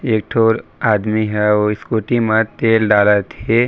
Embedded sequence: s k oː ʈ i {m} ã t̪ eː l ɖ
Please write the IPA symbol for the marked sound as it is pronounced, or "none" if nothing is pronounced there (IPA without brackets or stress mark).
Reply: m